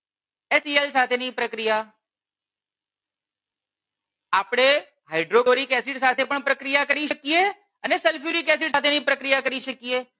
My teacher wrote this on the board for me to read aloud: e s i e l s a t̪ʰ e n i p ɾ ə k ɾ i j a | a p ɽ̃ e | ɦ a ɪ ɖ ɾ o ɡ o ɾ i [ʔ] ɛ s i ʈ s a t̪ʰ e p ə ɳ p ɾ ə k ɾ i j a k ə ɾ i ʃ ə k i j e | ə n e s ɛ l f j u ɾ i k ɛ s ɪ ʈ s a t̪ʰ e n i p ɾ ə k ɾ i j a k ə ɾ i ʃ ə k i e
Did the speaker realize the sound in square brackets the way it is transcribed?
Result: no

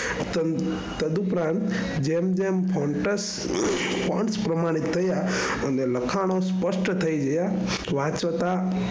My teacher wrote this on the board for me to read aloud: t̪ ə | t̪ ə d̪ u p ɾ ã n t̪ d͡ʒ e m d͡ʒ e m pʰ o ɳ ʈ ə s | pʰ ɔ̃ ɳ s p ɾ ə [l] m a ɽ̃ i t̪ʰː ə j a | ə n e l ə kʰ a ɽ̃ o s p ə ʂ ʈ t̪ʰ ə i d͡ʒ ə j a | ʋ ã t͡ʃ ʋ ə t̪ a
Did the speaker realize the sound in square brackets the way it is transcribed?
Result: no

